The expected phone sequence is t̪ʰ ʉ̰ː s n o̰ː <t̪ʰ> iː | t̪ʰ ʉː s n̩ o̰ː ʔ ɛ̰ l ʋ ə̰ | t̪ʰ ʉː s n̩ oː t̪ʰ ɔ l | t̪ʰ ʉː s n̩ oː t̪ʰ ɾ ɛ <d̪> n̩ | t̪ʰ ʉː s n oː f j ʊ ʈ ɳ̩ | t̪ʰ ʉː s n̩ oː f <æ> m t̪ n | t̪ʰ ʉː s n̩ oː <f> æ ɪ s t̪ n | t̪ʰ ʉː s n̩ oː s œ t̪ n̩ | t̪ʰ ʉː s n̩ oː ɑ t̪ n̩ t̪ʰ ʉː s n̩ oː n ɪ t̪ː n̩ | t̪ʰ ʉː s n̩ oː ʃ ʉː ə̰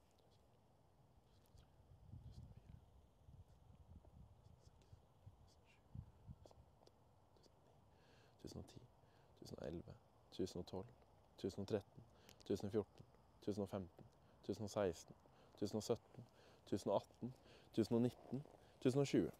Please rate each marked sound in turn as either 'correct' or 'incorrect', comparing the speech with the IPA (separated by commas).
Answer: correct, incorrect, incorrect, incorrect